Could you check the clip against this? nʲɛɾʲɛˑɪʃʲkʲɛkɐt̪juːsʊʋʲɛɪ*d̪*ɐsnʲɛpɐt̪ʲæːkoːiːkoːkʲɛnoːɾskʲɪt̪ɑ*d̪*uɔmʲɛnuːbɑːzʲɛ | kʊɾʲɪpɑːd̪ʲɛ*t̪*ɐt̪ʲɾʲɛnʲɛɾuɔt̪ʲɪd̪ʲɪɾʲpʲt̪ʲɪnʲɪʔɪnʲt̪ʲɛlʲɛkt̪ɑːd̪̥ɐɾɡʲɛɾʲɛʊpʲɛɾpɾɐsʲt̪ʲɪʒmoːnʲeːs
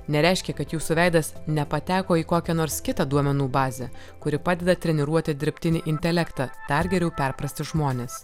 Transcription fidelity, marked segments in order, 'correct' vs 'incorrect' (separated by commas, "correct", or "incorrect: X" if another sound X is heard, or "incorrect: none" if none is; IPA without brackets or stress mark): correct, correct, incorrect: d̪